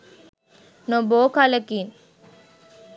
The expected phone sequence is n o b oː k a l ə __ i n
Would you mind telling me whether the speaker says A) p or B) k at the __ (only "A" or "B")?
B